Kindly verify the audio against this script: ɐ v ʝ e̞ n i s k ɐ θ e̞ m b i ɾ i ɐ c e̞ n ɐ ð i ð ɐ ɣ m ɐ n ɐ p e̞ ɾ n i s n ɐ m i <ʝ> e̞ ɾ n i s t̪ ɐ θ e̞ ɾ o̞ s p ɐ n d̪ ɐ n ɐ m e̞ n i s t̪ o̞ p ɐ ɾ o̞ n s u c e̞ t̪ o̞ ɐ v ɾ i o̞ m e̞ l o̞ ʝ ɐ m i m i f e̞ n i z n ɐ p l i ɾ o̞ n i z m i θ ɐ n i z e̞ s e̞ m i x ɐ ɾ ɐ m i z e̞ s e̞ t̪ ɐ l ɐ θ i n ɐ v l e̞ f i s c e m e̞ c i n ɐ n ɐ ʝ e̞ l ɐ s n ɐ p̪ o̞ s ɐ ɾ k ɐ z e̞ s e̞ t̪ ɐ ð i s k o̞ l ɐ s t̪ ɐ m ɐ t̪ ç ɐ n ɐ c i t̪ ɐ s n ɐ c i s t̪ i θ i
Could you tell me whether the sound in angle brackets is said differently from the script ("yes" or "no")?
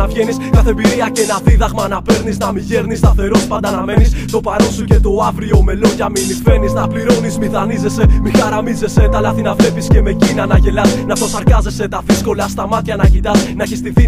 no